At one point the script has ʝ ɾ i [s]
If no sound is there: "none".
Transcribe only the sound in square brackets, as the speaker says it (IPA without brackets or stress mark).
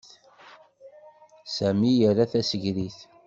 θ